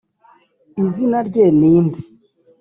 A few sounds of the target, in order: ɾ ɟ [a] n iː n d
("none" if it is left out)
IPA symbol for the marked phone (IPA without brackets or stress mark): e